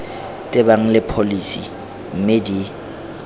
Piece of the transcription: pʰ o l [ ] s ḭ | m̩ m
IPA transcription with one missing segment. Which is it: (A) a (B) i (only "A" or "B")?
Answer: B